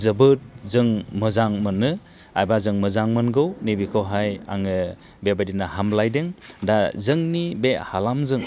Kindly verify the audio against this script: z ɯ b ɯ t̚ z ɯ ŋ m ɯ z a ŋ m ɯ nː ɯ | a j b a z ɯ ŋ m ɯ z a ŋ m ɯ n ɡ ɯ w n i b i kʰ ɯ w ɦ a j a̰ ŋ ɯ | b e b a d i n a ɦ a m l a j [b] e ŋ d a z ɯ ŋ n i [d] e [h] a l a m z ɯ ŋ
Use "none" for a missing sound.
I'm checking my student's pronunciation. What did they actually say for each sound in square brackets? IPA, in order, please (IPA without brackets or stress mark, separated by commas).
d, b, h